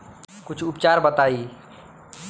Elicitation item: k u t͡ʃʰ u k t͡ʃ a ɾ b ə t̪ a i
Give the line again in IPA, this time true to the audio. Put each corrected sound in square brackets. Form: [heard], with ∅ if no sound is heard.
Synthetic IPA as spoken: k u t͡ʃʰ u [p] t͡ʃ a ɾ b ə t̪ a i